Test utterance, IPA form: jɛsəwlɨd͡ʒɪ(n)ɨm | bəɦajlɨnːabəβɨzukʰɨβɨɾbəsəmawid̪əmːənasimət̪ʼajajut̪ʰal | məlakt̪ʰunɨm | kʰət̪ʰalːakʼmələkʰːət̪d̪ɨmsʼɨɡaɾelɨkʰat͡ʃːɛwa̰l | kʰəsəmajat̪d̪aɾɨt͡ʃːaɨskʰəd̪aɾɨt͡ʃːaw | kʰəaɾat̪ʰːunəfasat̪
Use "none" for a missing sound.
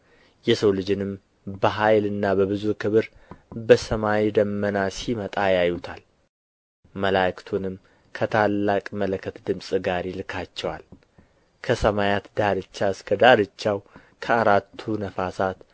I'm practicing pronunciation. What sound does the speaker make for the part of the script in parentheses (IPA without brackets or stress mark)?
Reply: n